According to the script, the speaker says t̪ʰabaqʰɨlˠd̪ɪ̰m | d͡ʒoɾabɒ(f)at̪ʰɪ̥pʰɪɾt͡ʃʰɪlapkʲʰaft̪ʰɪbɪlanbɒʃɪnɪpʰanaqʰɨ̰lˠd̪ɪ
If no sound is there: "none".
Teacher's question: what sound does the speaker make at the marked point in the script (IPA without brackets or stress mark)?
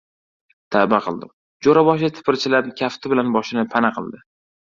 ʃ